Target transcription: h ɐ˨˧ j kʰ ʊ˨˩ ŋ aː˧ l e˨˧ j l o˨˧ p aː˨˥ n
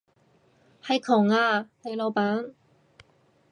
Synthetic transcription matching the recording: h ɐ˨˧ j kʰ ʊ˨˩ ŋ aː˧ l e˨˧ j l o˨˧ p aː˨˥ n